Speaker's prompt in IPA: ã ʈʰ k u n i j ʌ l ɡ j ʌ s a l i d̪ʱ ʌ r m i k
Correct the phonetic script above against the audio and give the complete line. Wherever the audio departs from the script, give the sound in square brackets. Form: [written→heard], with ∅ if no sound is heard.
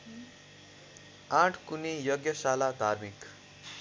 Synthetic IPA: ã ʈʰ k u n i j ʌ [l→∅] ɡ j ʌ s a l [i→a] d̪ʱ [ʌ→a] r m i k